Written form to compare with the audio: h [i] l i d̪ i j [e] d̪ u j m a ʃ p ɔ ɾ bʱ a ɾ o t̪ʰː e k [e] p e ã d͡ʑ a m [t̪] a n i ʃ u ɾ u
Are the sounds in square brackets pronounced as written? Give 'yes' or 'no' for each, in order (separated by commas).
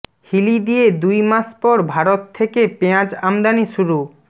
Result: yes, yes, yes, no